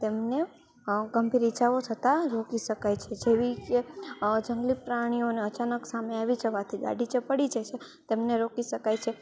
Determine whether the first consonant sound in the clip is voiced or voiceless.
voiceless